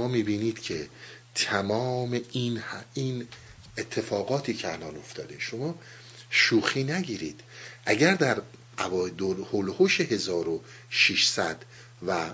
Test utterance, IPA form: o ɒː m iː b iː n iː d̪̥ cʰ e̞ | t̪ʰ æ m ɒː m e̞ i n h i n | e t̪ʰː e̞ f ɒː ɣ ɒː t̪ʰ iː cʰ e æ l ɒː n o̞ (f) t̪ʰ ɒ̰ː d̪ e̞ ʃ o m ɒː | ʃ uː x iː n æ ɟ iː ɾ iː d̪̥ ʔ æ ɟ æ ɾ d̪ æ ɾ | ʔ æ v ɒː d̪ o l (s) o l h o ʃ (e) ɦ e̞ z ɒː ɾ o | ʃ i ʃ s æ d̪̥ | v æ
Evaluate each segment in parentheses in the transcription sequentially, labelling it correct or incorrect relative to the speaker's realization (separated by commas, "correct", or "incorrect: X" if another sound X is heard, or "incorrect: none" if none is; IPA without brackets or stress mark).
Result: correct, incorrect: h, correct